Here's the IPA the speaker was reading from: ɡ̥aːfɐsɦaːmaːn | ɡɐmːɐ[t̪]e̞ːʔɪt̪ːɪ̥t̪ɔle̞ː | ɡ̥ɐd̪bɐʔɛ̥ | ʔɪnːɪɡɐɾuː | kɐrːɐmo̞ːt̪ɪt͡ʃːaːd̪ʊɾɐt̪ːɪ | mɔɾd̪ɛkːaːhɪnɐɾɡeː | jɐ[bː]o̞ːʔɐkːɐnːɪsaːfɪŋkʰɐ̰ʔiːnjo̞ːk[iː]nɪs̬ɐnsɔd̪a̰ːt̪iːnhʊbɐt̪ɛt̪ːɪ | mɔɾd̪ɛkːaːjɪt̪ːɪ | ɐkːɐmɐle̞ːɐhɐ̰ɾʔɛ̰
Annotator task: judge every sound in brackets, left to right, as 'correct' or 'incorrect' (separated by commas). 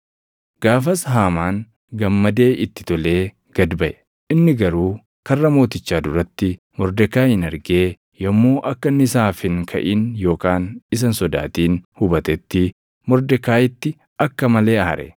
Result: incorrect, incorrect, incorrect